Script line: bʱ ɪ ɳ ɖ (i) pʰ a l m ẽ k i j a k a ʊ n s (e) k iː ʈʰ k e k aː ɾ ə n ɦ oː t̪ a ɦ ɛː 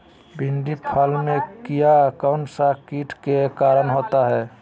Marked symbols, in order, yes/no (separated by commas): yes, no